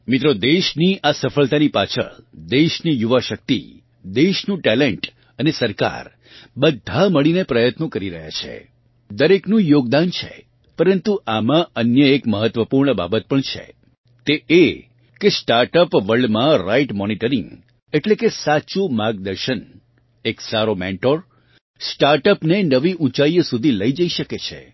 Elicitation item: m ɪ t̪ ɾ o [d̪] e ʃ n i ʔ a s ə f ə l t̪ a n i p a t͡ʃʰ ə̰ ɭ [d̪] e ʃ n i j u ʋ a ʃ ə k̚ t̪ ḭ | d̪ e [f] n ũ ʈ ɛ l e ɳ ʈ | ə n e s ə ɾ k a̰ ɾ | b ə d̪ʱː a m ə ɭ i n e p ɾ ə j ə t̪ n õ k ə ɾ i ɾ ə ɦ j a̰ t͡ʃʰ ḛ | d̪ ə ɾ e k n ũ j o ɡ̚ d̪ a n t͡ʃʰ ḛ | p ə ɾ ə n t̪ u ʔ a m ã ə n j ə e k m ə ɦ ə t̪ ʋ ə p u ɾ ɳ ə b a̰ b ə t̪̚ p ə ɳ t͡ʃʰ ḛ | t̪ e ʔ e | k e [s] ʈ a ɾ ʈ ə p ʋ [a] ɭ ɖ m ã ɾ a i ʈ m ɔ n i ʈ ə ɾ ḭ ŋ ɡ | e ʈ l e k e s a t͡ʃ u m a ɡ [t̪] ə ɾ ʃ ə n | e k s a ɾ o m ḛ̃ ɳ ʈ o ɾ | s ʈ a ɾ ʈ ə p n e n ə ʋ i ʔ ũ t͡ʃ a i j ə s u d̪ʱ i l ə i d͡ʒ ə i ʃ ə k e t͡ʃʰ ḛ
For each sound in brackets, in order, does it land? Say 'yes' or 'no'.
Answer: yes, yes, no, yes, no, no

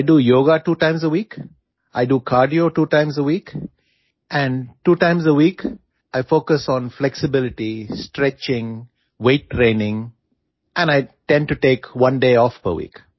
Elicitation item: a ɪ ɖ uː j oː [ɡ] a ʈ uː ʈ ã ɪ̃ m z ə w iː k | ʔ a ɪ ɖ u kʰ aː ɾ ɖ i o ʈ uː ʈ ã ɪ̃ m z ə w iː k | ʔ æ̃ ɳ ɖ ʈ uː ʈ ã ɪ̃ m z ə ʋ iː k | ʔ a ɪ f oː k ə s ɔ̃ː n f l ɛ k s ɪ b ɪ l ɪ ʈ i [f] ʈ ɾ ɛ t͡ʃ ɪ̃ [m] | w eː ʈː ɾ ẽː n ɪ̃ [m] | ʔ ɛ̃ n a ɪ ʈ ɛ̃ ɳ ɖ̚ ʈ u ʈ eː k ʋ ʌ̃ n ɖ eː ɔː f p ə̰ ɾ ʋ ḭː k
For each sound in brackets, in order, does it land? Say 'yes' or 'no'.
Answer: yes, no, no, no

